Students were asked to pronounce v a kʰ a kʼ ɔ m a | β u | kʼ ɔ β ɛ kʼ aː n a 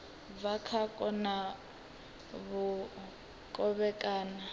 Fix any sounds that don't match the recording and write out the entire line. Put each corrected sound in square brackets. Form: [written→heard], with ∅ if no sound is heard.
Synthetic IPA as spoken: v a kʰ a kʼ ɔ [m→n] a | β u | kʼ ɔ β ɛ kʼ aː n a